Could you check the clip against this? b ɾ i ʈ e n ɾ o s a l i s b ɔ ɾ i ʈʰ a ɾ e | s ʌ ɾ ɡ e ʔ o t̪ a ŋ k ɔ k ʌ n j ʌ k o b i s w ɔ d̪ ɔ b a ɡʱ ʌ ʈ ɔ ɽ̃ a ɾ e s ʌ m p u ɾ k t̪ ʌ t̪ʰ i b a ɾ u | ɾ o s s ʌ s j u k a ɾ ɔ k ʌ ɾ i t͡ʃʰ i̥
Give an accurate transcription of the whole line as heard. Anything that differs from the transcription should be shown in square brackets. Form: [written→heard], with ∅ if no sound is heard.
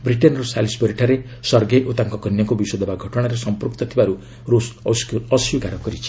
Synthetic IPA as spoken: b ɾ i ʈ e n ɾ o s a l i s b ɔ ɾ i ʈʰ a ɾ e | s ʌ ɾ ɡ e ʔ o t̪ a ŋ k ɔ k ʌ n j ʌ k o b i s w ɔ d̪ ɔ b a ɡʱ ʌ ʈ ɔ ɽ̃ a ɾ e s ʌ m p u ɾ k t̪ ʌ t̪ʰ i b a ɾ u | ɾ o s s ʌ s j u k a ɾ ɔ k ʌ ɾ i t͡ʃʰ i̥